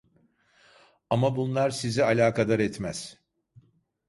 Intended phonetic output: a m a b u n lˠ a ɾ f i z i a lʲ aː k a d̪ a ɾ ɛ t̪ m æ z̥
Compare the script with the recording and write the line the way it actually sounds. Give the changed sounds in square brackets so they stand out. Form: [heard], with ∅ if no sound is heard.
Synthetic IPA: a m a b u n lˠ a ɾ [s] i z i a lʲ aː k a d̪ a ɾ ɛ t̪ m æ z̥

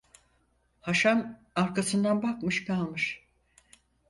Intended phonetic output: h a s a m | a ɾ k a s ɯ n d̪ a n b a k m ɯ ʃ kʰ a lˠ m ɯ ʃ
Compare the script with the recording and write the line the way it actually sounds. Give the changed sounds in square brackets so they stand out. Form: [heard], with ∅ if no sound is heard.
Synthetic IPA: h a [ʃ] a m | a ɾ k a s ɯ n d̪ a n b a k m ɯ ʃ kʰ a lˠ m ɯ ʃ

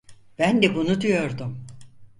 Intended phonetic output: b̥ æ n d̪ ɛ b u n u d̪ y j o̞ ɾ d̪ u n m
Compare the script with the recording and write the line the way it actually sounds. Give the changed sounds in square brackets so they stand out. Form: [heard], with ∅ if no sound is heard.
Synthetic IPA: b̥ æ n d̪ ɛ b u n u d̪ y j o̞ ɾ d̪ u [∅] m

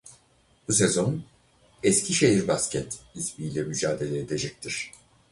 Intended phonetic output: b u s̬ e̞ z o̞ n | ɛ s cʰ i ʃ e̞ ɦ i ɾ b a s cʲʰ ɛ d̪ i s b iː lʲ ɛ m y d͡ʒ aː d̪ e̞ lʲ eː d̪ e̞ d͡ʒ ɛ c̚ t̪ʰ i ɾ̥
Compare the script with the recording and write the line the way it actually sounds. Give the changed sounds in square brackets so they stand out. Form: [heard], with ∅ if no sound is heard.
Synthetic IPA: b u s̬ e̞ z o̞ n | ɛ s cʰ i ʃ e̞ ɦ i ɾ b a s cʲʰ ɛ [t̪] i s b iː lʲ ɛ m y d͡ʒ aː d̪ e̞ lʲ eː d̪ e̞ d͡ʒ ɛ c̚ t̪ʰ i ɾ̥

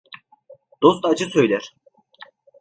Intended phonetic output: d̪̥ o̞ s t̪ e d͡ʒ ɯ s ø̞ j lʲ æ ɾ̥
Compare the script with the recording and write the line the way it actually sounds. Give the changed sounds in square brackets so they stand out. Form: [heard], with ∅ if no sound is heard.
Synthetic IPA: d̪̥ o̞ s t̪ [a] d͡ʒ ɯ s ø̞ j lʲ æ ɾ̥

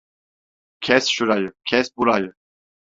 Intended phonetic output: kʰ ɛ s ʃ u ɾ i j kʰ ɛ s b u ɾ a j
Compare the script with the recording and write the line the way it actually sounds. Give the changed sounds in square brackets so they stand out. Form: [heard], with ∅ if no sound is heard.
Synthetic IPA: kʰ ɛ s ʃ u ɾ [a] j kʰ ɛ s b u ɾ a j

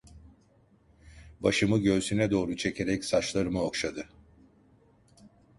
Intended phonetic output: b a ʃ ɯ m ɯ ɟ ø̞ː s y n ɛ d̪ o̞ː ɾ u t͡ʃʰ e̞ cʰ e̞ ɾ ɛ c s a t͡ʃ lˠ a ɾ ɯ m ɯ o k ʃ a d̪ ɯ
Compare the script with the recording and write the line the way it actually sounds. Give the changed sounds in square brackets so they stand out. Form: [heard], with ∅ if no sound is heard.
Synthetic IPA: b a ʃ ɯ m ɯ ɟ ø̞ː s y n ɛ d̪ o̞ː ɾ u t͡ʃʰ e̞ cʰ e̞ ɾ ɛ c s a t͡ʃ lˠ a ɾ ɯ m ɯ o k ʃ a d̪ ɯ

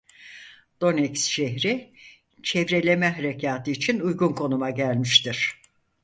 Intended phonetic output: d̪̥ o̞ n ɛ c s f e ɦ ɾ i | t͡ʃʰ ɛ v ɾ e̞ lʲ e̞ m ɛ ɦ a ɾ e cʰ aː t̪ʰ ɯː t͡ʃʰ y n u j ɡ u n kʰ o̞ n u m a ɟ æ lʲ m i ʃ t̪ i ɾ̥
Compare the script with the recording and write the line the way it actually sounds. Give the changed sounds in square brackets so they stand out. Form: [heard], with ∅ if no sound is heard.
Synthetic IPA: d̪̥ o̞ n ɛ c s [ʃ] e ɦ ɾ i | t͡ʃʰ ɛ v ɾ e̞ lʲ e̞ m ɛ ɦ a ɾ e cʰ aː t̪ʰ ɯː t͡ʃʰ [i] n u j ɡ u n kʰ o̞ n u m a ɟ æ lʲ m i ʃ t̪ i ɾ̥

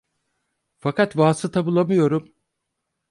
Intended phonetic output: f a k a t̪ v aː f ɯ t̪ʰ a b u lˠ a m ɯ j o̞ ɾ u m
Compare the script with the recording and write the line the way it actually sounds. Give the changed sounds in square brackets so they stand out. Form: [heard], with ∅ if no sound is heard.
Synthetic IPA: f a k a t̪ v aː [s] ɯ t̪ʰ a b u lˠ a m ɯ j o̞ ɾ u m

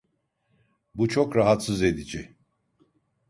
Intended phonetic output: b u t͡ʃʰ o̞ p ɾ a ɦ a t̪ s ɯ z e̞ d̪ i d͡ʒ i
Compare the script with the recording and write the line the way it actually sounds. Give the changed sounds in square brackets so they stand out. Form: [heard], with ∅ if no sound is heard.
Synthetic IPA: b u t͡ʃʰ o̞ [k] ɾ a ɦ a t̪ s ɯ z e̞ d̪ i d͡ʒ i

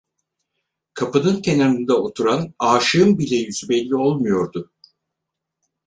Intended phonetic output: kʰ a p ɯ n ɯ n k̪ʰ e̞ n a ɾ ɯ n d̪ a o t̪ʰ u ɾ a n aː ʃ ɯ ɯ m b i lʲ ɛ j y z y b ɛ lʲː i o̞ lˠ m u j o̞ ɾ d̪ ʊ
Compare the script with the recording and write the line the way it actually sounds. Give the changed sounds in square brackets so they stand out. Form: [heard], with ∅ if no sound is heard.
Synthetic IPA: kʰ a p ɯ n ɯ n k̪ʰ e̞ n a ɾ ɯ n d̪ a o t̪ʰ u ɾ a n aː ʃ ɯ ɯ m b i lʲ ɛ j y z y b ɛ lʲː i o̞ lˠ m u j o̞ ɾ d̪ ʊ

